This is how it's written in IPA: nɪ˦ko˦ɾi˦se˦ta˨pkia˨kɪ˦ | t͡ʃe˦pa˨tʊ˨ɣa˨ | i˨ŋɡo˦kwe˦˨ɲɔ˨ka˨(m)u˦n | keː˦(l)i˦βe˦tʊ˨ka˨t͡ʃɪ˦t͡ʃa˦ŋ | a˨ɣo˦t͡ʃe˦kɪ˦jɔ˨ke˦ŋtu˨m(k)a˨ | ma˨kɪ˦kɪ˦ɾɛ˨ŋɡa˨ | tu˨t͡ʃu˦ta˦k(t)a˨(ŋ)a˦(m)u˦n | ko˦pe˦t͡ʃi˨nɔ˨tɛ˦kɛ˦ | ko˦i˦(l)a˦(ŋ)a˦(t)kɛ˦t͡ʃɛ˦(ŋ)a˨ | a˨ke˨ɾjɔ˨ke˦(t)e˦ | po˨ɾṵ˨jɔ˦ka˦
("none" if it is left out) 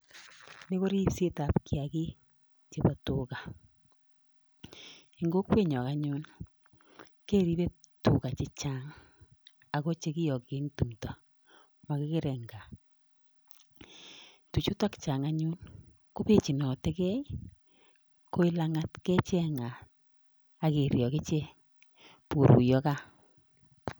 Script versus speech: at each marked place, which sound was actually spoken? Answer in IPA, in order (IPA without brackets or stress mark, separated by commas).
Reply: ɲ, ɾ, t, t͡ʃ, ŋ, ɲ, l, ŋ, t, ŋ, t͡ʃ